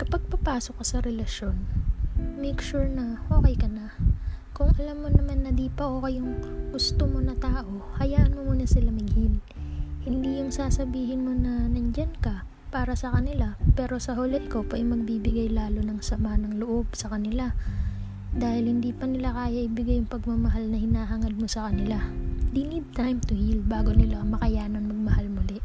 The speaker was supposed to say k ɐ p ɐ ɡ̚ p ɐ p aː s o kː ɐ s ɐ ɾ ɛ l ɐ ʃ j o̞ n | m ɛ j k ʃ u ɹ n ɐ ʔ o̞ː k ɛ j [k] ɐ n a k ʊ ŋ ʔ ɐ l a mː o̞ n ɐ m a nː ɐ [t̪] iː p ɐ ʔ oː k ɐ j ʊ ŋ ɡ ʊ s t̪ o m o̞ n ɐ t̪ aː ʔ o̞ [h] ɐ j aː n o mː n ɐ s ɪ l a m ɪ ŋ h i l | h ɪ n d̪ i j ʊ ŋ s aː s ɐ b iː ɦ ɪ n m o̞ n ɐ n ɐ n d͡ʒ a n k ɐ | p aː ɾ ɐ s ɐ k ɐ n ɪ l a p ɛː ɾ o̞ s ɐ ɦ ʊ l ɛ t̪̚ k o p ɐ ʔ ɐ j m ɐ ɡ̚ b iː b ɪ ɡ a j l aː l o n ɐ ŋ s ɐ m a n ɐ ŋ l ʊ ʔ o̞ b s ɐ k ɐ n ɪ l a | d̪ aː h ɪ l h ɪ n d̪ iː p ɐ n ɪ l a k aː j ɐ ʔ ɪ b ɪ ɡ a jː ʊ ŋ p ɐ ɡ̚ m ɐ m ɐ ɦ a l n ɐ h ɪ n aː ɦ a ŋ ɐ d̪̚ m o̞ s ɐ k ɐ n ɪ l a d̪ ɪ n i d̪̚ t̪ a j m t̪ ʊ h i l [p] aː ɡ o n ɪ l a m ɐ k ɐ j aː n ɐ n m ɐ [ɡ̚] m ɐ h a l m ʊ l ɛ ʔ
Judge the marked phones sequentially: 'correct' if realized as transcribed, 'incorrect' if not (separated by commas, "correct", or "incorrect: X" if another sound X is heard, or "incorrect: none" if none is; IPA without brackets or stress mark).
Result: correct, incorrect: d̪, correct, incorrect: b, correct